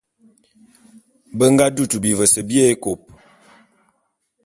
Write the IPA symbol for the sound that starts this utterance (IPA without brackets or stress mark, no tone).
b